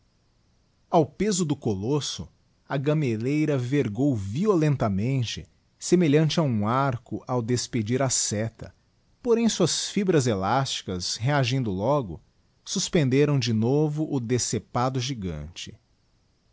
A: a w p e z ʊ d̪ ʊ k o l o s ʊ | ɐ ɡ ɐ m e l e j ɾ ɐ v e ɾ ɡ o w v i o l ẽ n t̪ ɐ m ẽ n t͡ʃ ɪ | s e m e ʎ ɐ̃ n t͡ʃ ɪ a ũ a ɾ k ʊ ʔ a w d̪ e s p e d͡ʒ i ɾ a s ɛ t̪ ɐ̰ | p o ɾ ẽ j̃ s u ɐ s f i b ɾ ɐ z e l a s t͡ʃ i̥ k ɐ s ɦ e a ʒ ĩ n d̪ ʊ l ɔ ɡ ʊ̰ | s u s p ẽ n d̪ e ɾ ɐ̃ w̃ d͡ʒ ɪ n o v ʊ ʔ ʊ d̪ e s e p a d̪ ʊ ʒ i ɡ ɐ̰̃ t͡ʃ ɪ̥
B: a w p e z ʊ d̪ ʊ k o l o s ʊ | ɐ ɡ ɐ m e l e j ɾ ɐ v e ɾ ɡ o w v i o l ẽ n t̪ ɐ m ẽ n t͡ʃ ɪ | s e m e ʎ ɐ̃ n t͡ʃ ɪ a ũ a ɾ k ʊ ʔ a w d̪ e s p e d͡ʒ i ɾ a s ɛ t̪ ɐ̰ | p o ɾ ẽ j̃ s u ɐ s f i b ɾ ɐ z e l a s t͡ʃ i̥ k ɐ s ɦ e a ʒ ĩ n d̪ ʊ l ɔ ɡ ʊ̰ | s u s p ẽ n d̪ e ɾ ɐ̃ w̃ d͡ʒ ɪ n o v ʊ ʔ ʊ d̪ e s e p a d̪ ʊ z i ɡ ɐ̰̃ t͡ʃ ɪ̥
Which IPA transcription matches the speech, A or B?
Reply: A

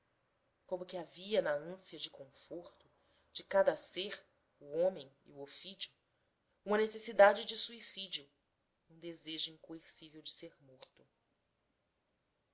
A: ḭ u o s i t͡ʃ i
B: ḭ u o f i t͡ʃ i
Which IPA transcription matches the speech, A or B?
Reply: B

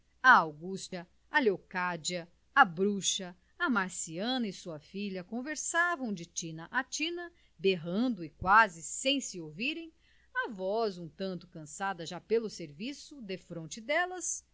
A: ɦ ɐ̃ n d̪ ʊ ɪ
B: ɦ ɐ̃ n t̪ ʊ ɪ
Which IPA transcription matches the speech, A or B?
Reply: A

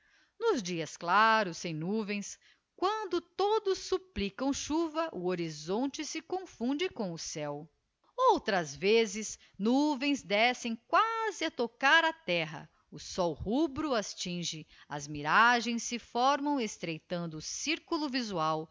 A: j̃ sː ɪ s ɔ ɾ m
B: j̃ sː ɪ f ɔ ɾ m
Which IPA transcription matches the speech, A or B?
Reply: B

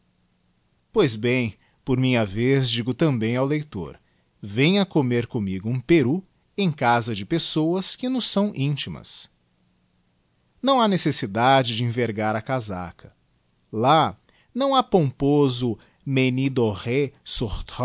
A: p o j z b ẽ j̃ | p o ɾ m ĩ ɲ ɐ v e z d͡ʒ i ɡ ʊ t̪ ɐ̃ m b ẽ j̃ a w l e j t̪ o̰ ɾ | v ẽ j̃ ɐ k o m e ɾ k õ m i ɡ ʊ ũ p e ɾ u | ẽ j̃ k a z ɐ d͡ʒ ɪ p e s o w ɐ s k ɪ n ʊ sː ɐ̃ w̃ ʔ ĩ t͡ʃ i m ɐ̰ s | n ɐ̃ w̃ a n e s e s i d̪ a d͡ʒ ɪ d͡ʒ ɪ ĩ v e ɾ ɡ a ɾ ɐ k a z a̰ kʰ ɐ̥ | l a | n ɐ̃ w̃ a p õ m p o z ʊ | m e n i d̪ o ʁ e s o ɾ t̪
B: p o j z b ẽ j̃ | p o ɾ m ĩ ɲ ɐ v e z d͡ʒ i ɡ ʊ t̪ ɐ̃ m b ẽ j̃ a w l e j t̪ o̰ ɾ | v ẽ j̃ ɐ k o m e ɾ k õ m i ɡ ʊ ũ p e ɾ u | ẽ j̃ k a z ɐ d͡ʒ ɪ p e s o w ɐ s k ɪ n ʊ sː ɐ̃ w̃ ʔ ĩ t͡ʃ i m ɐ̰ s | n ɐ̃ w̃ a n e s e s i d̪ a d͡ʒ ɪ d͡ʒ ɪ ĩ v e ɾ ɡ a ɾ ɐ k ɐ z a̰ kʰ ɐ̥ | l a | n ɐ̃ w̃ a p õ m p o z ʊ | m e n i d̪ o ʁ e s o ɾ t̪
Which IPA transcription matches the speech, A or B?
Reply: A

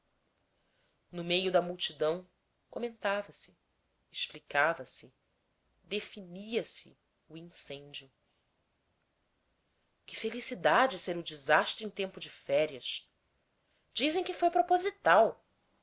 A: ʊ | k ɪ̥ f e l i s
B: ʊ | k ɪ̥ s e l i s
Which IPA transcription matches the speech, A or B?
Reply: A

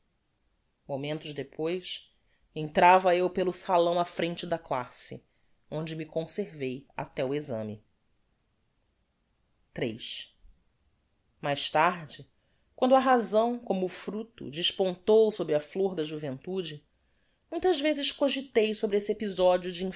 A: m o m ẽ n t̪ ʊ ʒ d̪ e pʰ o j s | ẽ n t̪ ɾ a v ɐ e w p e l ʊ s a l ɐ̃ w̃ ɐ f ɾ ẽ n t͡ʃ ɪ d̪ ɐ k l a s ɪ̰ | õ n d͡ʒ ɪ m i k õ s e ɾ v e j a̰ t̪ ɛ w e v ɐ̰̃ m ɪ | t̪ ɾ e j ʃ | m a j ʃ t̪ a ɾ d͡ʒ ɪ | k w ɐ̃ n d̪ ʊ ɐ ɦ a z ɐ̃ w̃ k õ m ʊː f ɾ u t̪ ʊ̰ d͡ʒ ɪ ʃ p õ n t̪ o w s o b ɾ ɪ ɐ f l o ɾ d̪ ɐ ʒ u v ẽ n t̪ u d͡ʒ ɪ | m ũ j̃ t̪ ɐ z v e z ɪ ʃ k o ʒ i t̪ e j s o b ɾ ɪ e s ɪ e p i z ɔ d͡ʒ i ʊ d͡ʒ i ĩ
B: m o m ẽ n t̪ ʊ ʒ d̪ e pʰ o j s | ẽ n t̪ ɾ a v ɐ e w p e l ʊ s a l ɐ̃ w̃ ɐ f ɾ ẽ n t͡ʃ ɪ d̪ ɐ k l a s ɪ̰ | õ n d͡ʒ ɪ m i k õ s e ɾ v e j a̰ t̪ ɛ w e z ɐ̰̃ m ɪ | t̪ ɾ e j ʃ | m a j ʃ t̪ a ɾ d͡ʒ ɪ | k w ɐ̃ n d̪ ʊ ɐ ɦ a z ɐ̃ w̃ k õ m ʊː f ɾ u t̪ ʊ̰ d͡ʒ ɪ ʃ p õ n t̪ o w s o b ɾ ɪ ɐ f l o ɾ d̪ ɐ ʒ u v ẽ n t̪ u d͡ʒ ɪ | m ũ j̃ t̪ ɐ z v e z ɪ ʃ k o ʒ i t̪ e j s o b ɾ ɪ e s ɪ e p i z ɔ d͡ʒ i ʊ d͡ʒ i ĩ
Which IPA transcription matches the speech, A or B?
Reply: B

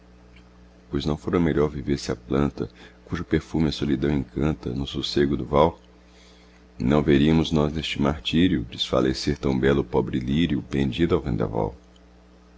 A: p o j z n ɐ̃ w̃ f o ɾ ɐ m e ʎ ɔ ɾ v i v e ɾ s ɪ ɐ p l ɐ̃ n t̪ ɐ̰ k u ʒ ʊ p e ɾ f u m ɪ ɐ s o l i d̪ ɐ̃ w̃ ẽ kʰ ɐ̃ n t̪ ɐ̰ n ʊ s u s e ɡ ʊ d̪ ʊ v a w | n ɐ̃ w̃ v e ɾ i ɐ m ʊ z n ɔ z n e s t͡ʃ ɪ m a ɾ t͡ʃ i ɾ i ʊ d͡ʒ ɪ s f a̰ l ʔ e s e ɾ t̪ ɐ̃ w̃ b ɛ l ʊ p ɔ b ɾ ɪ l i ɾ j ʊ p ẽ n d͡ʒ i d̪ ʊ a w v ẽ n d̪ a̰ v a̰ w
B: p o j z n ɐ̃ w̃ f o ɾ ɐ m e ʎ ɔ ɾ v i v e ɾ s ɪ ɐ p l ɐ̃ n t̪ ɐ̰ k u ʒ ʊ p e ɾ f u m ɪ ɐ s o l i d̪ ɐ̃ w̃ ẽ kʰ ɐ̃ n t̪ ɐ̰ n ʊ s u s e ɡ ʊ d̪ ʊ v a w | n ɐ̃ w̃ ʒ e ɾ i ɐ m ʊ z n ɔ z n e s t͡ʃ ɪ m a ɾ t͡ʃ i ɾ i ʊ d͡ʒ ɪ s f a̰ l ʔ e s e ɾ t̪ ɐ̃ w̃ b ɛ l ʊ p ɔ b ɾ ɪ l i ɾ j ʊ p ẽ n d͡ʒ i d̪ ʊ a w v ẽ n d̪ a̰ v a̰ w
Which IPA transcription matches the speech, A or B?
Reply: A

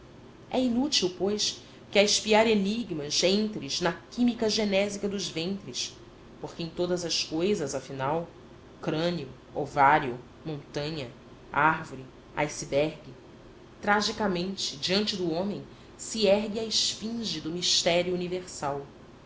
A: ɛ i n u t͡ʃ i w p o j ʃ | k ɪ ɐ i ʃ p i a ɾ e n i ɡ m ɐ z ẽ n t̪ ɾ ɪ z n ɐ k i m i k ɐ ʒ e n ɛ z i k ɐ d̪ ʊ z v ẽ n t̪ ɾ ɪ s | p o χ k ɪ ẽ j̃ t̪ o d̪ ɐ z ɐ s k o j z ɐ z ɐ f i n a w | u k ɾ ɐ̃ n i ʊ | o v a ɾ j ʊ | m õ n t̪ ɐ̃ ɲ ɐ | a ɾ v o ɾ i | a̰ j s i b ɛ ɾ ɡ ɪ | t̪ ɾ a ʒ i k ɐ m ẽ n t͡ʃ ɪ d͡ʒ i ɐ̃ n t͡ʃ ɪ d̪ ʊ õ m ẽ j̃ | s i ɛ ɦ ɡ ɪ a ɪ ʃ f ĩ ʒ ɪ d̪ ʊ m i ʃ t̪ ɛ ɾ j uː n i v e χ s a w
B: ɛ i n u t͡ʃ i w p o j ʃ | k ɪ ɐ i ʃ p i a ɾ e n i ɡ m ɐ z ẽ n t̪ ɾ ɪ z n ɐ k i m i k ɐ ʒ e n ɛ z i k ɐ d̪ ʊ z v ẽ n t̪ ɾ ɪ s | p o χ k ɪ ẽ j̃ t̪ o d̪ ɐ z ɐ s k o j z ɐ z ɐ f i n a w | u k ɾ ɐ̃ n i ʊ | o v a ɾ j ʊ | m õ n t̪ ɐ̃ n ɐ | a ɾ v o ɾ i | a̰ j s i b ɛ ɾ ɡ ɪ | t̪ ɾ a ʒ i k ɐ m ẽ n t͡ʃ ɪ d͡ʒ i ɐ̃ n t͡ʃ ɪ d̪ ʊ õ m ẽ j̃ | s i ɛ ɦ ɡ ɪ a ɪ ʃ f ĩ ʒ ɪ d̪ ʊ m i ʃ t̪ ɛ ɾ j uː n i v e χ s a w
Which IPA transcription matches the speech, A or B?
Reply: A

